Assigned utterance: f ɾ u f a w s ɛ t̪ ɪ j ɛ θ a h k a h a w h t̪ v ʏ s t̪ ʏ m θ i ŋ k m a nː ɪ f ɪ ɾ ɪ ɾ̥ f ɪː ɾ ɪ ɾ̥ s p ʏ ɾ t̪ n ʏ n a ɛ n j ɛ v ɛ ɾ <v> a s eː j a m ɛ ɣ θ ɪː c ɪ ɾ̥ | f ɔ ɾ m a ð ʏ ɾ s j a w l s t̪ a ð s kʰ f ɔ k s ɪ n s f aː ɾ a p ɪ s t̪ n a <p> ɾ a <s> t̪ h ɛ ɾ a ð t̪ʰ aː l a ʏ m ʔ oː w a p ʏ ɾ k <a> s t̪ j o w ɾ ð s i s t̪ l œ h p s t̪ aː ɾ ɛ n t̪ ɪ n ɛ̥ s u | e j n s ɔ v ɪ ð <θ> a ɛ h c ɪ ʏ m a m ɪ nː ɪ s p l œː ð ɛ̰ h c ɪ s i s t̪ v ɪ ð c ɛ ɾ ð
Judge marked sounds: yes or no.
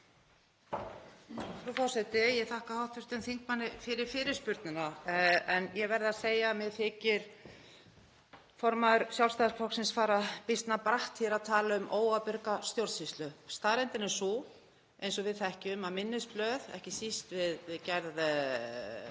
no, yes, no, yes, yes

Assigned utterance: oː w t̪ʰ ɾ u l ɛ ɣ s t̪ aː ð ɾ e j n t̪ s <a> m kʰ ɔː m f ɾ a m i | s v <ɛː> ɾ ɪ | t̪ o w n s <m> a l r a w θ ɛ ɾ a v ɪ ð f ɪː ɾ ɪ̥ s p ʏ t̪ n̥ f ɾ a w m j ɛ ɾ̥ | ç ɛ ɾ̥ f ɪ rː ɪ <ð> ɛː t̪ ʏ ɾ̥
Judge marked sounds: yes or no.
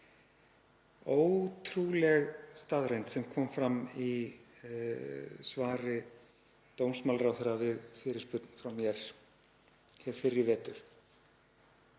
no, no, yes, no

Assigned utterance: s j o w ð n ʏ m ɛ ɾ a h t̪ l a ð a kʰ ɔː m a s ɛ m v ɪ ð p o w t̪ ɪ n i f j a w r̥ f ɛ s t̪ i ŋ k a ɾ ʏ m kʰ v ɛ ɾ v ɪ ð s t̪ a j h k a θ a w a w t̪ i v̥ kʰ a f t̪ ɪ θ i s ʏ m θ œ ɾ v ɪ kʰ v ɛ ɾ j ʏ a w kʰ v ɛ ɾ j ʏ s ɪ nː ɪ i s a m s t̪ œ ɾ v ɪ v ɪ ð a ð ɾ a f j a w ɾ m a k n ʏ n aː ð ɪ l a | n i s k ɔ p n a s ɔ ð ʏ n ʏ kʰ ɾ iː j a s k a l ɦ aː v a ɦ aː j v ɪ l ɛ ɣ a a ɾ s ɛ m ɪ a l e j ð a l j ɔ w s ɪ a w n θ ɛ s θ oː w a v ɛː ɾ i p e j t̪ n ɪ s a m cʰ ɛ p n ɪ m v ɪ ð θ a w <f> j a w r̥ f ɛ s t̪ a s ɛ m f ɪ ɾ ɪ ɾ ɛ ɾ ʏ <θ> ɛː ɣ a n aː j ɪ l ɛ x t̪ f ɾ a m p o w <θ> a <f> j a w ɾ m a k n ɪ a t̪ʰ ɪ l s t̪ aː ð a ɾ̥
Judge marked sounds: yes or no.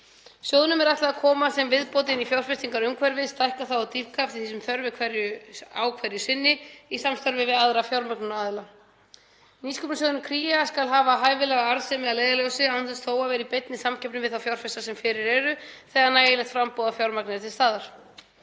yes, yes, no, yes

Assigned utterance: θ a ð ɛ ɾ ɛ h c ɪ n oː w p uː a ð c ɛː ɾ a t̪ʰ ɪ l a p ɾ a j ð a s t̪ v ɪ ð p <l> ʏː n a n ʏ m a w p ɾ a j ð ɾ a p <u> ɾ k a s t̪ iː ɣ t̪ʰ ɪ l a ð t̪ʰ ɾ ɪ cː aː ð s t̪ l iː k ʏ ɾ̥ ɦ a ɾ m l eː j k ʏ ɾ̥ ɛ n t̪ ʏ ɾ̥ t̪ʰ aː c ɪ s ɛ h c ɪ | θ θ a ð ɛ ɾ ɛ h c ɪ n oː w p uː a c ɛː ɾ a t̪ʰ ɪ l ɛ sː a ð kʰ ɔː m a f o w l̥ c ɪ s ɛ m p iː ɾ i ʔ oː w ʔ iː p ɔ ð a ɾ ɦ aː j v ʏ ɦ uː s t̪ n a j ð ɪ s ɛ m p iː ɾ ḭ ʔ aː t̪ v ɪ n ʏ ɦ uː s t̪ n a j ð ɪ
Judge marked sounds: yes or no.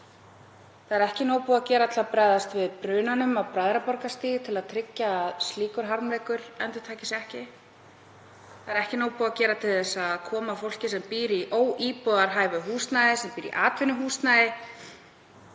no, no

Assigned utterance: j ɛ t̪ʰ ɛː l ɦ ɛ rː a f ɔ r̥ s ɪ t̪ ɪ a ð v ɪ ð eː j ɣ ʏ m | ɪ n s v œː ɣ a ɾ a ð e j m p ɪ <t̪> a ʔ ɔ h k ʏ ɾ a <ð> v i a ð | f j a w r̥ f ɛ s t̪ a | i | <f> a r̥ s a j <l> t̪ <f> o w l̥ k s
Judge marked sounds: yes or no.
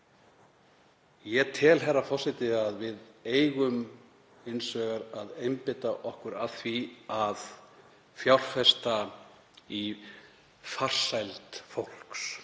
yes, no, yes, yes, yes

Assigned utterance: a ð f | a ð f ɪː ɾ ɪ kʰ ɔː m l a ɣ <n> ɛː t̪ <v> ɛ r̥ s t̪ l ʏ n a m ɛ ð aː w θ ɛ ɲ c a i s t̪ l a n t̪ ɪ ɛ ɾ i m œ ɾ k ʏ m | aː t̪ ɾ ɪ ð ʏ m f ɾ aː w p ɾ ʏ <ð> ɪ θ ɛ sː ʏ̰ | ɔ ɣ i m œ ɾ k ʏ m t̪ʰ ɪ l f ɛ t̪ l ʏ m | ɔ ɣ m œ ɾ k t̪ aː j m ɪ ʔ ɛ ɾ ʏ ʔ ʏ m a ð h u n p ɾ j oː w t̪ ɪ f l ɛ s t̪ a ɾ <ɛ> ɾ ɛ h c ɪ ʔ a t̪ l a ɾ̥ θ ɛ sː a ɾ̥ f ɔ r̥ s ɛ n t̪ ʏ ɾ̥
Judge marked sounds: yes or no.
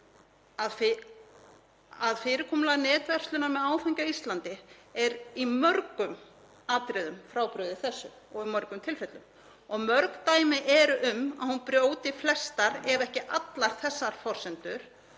yes, yes, yes, yes

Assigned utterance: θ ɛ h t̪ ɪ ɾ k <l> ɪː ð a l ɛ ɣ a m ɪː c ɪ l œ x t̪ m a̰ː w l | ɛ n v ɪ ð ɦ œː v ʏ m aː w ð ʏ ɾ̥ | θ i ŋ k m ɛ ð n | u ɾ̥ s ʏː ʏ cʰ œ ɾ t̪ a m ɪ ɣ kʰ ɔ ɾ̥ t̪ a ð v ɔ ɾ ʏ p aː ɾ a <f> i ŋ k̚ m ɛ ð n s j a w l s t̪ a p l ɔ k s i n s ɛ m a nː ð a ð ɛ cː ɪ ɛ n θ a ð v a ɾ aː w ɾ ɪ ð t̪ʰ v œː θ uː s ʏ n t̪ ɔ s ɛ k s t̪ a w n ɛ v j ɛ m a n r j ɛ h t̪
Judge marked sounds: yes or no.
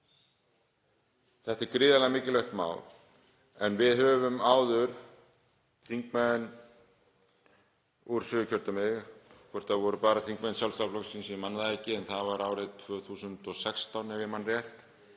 no, no

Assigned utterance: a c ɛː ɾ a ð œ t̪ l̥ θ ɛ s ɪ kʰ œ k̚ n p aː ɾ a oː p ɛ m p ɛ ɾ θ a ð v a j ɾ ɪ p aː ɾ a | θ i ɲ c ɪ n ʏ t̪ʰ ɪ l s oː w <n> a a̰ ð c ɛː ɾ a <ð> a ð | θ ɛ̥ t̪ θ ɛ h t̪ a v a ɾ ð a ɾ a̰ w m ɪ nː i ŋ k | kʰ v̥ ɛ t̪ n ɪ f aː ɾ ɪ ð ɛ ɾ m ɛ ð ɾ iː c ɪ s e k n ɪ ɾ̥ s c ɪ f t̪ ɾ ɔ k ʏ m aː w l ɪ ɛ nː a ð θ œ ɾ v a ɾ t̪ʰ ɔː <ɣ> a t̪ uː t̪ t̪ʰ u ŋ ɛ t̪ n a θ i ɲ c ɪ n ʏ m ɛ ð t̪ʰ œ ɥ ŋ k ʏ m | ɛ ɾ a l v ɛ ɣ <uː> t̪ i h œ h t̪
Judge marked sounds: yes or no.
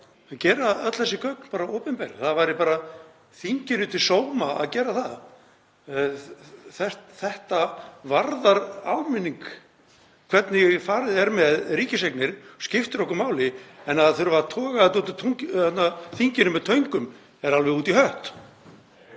no, no, yes, yes

